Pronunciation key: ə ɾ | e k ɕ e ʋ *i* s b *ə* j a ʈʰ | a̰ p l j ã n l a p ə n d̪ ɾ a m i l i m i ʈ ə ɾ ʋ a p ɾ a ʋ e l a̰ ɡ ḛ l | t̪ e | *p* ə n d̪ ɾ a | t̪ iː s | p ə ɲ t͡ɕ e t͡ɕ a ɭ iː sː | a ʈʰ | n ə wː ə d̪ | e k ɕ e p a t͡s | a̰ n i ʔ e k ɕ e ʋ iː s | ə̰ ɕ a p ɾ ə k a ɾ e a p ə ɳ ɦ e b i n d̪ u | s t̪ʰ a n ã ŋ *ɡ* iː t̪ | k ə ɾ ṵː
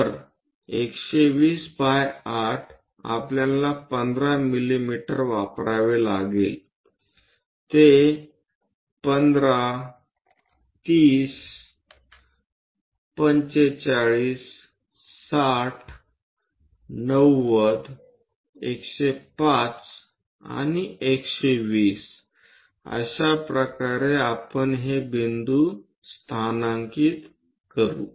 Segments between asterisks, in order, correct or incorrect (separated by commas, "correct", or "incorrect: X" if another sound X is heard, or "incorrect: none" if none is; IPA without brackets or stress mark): incorrect: iː, incorrect: a, correct, incorrect: k